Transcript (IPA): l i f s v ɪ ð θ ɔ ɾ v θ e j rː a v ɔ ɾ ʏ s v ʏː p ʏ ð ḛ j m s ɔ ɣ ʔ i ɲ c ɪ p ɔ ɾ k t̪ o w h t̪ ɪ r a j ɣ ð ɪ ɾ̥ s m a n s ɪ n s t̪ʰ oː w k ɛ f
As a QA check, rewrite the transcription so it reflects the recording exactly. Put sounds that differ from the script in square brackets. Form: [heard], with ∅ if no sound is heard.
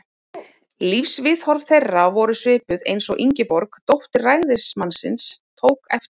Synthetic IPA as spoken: l i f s v ɪ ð [h] ɔ ɾ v θ e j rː a v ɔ ɾ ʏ s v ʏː p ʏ ð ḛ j [n] s ɔ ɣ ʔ i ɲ c ɪ p ɔ ɾ k t̪ o w h t̪ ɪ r a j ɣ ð ɪ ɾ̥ s m a n s ɪ n s t̪ʰ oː w k ɛ f